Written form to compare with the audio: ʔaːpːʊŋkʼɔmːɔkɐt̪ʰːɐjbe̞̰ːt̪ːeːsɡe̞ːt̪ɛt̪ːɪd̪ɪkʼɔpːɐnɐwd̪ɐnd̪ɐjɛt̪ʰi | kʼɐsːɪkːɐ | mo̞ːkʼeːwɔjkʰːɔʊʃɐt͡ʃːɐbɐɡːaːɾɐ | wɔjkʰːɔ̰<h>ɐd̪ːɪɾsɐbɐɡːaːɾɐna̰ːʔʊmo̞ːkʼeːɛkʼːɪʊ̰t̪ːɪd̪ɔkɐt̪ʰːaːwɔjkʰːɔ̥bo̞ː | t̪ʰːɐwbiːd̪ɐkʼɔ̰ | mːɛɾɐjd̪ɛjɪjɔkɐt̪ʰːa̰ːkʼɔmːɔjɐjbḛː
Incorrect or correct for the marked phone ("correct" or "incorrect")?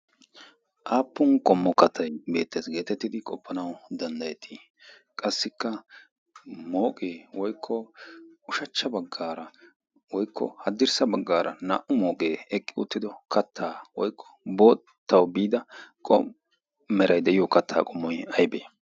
correct